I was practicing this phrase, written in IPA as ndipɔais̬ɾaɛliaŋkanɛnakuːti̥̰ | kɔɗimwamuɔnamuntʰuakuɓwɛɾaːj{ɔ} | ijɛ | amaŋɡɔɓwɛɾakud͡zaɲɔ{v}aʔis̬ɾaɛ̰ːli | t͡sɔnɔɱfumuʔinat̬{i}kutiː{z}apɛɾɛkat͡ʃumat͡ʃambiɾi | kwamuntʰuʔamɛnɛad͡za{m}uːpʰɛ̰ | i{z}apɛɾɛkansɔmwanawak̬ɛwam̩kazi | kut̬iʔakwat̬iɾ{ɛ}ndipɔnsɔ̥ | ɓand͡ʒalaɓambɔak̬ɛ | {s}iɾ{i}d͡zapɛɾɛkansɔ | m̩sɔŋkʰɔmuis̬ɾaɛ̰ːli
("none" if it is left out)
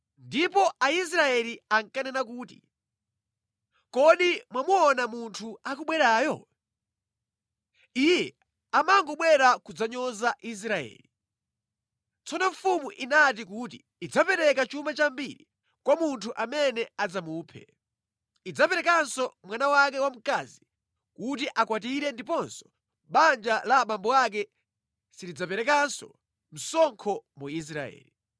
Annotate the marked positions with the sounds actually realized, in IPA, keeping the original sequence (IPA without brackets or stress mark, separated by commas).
ɔ, z, i, d͡z, m, d͡z, ɛ, s, i